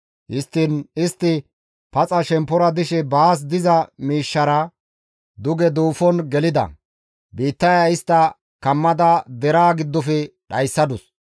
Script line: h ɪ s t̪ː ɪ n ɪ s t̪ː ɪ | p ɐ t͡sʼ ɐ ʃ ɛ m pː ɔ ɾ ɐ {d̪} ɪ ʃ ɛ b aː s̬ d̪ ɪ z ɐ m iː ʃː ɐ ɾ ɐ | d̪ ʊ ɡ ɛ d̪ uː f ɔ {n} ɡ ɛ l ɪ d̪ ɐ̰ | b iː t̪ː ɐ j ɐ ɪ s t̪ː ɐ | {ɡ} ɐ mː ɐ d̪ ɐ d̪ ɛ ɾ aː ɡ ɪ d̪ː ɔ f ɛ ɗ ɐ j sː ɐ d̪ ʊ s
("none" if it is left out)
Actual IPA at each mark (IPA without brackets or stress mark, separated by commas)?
d̪, n, k